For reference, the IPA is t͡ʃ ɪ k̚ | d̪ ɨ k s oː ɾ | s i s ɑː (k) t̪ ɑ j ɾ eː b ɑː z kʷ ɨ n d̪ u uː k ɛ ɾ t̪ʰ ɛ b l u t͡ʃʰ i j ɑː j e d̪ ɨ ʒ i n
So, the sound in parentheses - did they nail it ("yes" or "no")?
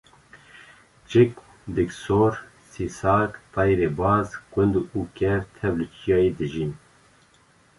yes